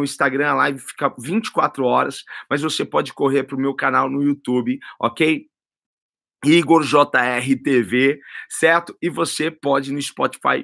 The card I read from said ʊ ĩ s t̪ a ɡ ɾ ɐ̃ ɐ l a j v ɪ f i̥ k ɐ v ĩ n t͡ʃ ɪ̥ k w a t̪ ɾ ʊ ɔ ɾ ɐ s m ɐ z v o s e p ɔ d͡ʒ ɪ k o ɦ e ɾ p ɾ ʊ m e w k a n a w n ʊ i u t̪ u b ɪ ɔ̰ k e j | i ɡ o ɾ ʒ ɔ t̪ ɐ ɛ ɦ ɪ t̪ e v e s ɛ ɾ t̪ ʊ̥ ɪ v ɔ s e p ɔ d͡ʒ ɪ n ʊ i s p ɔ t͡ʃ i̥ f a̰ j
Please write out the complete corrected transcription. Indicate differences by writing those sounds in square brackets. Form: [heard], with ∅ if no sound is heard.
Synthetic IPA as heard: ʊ ĩ s t̪ a ɡ ɾ ɐ̃ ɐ l a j v ɪ f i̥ k ɐ v ĩ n t͡ʃ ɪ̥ k w a t̪ ɾ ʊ ɔ ɾ ɐ s m ɐ z v o s e p ɔ d͡ʒ ɪ k o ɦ e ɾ p ɾ ʊ m e w k a n a w n ʊ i u t̪ u b ɪ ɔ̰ k e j | i ɡ o ɾ ʒ ɔ t̪ ɐ ɛ ɦ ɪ t̪ e v e s ɛ ɾ t̪ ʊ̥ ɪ v [o] s e p ɔ d͡ʒ ɪ n ʊ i s p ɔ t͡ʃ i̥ f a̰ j